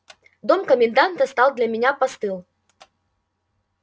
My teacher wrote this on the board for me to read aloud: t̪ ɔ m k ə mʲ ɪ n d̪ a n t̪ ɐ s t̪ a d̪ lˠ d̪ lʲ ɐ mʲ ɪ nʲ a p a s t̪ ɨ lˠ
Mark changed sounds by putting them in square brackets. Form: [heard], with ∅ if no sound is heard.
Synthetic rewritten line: [d̪] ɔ m k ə mʲ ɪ n d̪ a n t̪ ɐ s t̪ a [∅] lˠ d̪ lʲ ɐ mʲ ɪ nʲ a p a s t̪ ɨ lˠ